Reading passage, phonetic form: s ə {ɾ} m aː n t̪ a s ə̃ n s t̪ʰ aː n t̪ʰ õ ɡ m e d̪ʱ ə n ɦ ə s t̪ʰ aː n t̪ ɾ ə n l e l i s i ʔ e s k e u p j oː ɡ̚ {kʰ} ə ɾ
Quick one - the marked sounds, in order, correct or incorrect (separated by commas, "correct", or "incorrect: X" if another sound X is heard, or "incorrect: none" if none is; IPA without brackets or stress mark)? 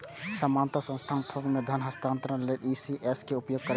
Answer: incorrect: none, incorrect: k